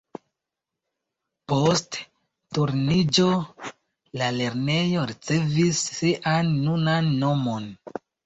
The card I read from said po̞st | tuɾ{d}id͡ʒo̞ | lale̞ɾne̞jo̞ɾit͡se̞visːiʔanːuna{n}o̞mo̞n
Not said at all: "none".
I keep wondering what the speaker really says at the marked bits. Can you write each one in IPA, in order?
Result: n, nː

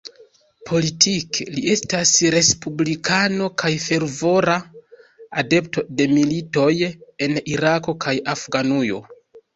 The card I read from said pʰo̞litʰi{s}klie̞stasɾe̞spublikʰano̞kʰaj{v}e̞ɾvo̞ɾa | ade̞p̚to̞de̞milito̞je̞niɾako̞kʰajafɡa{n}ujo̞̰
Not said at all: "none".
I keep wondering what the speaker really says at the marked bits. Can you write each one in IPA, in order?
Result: none, f, n

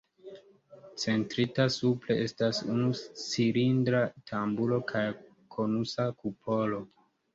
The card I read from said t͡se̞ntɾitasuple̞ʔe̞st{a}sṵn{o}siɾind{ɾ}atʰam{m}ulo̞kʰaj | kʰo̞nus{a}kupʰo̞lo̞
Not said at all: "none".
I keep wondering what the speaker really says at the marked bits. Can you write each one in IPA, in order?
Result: a, u, ɾ, b, a

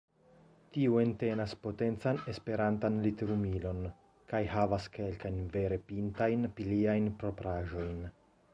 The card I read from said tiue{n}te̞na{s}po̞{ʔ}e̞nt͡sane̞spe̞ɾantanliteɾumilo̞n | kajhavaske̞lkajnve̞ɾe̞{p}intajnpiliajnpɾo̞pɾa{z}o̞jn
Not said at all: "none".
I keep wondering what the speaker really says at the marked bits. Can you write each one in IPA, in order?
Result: n, s, t, p, ʒ

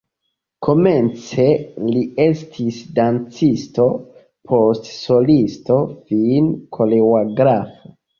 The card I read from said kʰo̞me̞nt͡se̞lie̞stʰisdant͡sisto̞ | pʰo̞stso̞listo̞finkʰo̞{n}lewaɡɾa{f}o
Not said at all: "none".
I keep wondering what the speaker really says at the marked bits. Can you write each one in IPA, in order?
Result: none, f

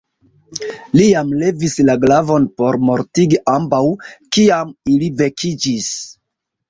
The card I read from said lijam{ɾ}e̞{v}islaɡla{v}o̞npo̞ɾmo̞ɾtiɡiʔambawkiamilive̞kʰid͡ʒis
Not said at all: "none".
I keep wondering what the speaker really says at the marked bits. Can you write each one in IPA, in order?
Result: l, v, v

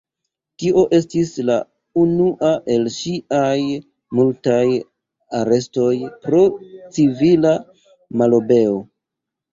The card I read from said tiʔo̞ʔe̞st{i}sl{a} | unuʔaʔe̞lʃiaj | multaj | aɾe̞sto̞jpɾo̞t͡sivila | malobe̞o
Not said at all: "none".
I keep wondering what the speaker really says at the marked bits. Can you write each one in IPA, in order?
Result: i, a

